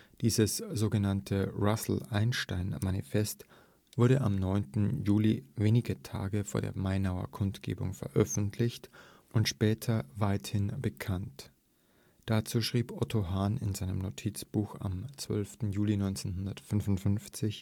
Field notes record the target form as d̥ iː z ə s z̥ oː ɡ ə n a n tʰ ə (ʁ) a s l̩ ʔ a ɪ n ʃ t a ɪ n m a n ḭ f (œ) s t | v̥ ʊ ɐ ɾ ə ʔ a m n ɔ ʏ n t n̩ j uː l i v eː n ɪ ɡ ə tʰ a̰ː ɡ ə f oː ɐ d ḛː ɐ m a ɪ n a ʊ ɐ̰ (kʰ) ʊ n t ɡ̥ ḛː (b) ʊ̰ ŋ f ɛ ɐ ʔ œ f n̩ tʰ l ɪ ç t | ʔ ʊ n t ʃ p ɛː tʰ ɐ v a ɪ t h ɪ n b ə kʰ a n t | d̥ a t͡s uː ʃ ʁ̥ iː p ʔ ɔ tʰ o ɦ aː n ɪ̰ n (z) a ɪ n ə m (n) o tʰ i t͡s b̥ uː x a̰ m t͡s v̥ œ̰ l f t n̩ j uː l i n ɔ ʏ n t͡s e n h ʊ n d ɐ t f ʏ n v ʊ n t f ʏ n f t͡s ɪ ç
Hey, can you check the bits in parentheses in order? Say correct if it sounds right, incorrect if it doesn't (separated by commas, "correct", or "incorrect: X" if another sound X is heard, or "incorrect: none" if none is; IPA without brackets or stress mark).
correct, incorrect: ɛ, correct, correct, correct, correct